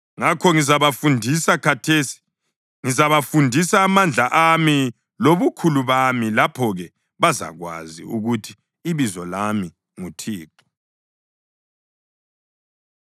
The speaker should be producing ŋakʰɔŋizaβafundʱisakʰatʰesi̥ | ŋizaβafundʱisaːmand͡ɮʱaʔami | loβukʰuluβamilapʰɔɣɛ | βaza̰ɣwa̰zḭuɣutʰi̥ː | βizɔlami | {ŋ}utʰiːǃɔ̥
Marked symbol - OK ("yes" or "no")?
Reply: yes